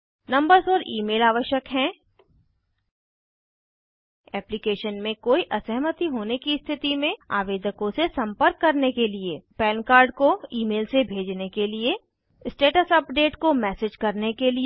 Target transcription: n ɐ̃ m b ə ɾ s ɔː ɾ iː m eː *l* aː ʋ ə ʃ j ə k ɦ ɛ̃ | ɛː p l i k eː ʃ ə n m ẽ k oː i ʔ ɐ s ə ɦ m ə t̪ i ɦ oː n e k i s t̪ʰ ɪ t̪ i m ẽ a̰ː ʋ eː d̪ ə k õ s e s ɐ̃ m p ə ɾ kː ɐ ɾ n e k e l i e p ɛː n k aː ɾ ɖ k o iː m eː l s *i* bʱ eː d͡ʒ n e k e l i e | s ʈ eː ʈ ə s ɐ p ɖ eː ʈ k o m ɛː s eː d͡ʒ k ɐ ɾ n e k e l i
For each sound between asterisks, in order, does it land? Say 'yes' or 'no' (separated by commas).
yes, no